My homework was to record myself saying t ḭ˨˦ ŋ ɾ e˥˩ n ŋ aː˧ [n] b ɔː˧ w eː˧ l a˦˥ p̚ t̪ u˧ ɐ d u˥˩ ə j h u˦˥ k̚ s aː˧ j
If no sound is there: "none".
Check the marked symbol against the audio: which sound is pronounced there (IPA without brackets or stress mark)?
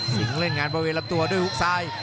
n